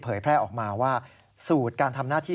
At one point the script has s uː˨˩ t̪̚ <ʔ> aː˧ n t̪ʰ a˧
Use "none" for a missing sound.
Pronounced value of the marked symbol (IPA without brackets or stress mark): k